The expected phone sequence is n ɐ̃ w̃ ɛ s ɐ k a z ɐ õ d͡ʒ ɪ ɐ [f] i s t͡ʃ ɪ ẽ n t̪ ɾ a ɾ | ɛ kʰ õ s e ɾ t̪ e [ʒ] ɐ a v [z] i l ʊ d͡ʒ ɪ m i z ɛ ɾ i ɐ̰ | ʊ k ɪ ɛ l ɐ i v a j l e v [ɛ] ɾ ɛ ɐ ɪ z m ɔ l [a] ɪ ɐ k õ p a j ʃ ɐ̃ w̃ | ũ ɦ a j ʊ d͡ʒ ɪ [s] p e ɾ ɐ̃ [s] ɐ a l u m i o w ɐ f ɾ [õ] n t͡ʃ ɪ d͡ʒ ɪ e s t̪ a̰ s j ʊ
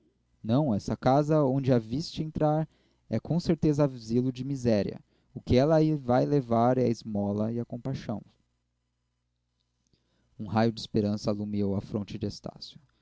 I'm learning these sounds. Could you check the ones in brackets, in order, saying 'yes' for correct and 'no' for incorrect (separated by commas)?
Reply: no, no, yes, no, no, yes, yes, yes